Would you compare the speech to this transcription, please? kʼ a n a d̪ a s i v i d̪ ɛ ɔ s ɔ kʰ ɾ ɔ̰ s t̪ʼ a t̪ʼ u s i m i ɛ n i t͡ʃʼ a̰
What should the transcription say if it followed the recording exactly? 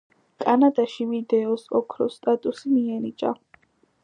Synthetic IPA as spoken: kʼ a n a d̪ a ʃ i v i d̪ ɛ ɔ s ɔ kʰ ɾ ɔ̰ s t̪ʼ a t̪ʼ u s i m i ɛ n i t͡ʃʼ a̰